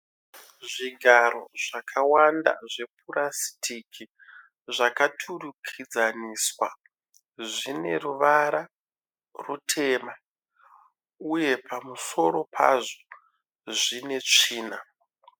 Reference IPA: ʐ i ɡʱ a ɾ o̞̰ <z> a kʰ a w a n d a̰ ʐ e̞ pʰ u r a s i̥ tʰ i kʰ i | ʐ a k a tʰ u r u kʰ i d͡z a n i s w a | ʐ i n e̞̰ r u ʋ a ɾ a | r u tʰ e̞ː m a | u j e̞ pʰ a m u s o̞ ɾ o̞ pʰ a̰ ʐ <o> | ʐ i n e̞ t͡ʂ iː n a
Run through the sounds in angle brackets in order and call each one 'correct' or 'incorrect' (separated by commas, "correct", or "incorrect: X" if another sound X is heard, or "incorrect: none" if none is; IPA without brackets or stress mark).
incorrect: ʐ, correct